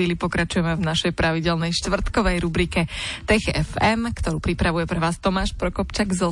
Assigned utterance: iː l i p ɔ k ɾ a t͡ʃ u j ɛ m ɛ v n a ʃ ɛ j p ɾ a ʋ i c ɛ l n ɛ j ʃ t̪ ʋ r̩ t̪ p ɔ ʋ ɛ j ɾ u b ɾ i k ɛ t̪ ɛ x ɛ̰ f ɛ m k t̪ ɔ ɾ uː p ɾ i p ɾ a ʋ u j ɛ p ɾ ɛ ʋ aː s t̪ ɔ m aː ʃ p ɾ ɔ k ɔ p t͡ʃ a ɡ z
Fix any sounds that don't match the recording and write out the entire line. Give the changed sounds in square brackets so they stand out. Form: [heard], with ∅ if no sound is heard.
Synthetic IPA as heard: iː l i p ɔ k ɾ a t͡ʃ u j ɛ m ɛ v n a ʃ ɛ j p ɾ a ʋ i [ɟ] ɛ l n ɛ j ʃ t̪ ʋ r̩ t̪ [k] ɔ ʋ ɛ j ɾ u b ɾ i k ɛ t̪ ɛ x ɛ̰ f ɛ m k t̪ ɔ ɾ uː p ɾ i p ɾ a ʋ u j ɛ p ɾ ɛ ʋ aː s t̪ ɔ m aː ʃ p ɾ ɔ k ɔ p t͡ʃ a ɡ z